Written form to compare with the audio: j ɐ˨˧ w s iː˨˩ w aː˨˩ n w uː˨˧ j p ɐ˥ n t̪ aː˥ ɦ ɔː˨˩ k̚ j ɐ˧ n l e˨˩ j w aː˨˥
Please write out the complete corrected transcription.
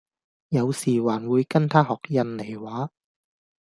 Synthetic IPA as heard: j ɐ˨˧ w s iː˨˩ w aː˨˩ n w uː˨˧ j k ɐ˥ n t̪ʰ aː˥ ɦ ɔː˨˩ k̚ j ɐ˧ n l e˨˩ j w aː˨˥